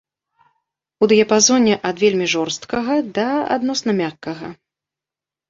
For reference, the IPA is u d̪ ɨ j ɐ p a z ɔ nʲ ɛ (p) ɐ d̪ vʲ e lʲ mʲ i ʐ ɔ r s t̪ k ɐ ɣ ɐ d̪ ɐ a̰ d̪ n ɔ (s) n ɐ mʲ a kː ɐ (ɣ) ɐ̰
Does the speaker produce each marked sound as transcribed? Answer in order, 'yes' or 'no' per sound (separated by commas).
no, yes, yes